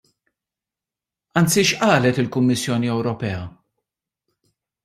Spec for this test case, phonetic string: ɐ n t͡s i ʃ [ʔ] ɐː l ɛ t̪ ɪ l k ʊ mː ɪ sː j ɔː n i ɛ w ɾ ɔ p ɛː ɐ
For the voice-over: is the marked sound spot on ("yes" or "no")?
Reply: yes